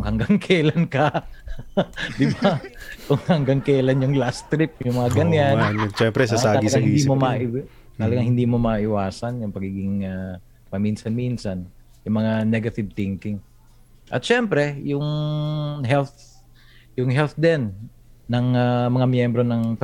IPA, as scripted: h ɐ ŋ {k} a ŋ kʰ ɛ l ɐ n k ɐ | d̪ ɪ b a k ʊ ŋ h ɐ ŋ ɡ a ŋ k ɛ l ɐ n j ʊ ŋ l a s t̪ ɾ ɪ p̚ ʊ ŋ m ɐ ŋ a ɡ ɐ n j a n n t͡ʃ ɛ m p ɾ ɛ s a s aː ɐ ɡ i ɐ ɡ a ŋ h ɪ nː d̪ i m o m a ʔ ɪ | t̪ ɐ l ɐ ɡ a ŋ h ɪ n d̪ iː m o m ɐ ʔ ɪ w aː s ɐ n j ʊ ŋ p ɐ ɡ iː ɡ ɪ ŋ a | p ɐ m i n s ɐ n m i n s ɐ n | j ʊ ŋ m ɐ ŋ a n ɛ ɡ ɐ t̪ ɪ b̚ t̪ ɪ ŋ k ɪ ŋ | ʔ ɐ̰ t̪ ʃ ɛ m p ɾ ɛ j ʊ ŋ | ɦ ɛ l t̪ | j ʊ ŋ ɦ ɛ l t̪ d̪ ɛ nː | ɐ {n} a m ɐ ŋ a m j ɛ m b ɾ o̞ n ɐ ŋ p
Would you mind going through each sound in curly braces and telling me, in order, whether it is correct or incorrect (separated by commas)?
incorrect, incorrect